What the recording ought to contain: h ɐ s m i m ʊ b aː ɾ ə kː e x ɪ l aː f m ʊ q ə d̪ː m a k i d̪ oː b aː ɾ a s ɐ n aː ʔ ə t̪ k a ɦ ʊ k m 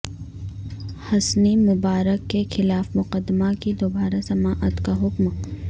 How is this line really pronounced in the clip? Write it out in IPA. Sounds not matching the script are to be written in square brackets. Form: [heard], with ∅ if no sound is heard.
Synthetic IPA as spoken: h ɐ s [n] i m ʊ b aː ɾ ə kː e x ɪ l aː f m ʊ q ə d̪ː m a k i d̪ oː b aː ɾ a s ɐ [m] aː ʔ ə t̪ k a ɦ ʊ k m